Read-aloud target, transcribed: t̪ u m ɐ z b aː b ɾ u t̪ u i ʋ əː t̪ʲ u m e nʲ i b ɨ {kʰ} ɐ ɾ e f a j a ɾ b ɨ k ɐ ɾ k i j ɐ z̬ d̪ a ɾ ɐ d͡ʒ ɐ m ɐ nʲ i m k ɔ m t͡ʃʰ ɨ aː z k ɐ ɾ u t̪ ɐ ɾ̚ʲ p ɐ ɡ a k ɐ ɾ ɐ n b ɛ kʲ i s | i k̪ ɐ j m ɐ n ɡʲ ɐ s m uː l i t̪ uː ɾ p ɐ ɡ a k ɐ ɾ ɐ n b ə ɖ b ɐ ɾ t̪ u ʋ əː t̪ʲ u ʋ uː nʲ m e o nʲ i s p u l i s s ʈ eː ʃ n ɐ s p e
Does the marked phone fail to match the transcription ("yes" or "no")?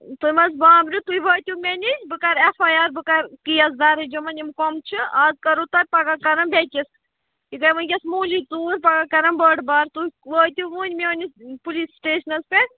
yes